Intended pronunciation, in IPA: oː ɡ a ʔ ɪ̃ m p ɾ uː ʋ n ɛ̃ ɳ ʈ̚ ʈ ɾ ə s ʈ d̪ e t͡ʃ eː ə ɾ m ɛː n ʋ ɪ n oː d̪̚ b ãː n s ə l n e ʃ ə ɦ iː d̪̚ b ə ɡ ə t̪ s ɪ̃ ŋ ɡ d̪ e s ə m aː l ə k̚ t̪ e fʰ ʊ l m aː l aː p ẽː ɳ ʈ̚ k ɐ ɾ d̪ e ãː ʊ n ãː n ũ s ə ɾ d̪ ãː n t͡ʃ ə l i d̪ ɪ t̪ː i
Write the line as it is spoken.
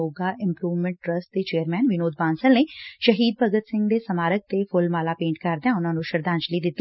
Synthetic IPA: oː ɡ a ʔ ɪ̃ m p ɾ uː ʋ m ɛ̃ ɳ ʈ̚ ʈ ɾ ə s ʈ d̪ e t͡ʃ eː ə ɾ m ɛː n ʋ ɪ n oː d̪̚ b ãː n s ə l n e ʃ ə ɦ iː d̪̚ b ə ɡ ə t̪ s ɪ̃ ŋ ɡ d̪ e s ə m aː ɾ ə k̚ t̪ e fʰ ʊ l m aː l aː p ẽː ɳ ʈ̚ k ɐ ɾ d̪ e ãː ʊ n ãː n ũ ʃ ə ɾ d̪ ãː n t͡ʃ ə l i d̪ ɪ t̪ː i